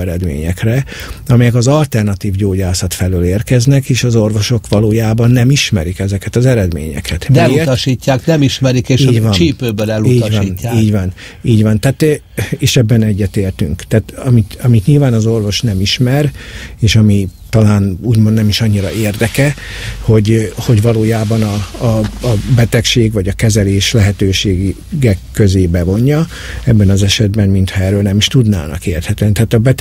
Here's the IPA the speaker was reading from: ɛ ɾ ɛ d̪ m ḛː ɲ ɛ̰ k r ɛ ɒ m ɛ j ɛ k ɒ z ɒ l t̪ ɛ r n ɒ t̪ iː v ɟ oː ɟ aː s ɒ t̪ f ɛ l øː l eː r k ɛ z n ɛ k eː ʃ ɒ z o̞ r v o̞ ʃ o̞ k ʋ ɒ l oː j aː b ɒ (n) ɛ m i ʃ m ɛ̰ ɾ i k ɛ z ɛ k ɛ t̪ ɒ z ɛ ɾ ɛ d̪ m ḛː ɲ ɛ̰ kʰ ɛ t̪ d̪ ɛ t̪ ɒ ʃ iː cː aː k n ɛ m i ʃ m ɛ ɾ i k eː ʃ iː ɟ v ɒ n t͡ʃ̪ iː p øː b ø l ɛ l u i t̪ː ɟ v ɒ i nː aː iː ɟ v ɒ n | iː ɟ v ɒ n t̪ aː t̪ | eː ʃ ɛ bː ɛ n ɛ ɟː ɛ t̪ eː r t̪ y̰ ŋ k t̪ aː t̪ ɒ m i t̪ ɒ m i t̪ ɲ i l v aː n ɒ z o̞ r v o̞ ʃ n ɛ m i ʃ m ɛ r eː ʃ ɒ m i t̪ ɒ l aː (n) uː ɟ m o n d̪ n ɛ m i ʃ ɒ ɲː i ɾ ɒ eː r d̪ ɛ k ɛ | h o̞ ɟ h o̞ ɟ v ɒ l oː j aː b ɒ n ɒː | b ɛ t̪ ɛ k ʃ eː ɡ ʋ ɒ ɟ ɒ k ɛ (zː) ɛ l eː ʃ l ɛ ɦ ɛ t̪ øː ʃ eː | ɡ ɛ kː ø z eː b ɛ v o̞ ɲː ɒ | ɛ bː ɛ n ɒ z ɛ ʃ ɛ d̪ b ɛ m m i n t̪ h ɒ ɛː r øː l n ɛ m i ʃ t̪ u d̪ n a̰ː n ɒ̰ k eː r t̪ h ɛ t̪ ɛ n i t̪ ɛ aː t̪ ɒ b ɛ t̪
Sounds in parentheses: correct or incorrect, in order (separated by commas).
incorrect, correct, incorrect